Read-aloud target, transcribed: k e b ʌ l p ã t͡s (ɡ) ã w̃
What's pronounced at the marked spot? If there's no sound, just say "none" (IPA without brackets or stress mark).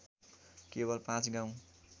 ɡ